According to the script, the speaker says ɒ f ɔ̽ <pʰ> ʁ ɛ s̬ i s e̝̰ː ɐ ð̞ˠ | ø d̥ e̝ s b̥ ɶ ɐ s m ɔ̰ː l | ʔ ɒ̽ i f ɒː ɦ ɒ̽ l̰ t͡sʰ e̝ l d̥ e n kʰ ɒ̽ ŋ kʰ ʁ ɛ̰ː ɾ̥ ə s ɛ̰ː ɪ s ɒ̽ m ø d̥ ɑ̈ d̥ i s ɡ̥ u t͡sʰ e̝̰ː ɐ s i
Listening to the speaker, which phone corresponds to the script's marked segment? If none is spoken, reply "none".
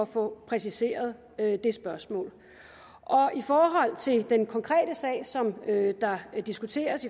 pʰ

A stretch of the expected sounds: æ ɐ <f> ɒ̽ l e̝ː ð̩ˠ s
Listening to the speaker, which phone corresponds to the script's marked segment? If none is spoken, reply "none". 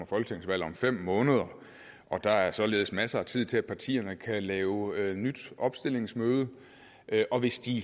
s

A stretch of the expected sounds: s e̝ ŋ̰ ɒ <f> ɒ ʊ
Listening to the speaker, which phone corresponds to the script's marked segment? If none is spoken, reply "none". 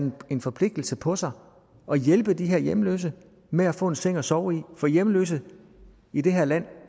s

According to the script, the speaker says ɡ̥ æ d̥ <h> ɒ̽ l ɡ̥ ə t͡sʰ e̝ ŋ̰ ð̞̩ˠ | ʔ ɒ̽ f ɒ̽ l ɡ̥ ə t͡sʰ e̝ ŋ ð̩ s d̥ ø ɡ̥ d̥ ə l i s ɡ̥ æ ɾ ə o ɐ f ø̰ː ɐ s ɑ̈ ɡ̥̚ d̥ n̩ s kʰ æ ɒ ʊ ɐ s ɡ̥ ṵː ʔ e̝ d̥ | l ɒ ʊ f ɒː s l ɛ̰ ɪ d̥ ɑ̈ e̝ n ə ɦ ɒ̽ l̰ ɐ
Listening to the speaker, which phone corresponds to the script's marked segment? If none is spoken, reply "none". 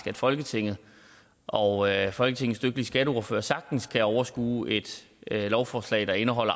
f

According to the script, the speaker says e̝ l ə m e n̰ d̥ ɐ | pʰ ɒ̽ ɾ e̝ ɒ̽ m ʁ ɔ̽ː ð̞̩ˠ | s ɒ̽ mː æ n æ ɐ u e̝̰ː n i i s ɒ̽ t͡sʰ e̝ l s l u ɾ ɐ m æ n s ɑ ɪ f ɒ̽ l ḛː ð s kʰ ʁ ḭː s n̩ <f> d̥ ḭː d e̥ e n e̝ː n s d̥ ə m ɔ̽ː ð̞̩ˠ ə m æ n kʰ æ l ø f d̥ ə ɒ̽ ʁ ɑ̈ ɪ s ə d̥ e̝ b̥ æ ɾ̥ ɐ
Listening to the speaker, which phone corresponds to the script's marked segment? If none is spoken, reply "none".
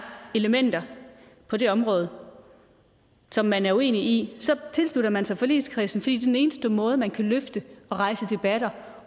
f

